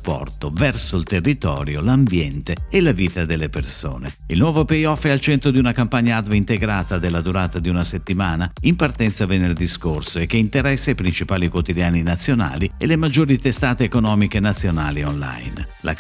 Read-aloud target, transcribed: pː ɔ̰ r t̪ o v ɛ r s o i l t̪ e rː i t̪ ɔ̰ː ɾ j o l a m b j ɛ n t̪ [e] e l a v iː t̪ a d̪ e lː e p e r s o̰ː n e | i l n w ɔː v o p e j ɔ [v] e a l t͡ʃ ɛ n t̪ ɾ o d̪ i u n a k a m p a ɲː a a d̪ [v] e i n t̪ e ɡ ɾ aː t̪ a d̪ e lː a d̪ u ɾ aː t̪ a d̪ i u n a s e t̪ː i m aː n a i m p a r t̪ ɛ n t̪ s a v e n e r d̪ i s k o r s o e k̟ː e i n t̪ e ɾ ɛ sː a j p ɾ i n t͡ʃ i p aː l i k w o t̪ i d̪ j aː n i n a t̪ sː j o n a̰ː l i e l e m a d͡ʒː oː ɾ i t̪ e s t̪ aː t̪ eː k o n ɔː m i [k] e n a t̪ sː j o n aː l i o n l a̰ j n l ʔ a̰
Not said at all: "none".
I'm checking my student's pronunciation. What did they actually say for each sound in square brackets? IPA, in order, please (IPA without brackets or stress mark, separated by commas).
e, f, v, k